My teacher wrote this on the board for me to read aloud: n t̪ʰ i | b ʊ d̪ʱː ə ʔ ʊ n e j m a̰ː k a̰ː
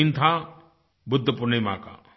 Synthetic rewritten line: n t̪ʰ a | b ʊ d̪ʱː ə p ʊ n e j m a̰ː k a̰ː